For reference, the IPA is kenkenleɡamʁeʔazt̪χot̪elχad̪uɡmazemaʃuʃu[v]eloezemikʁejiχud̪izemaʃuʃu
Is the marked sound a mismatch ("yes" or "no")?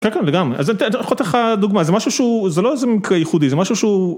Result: yes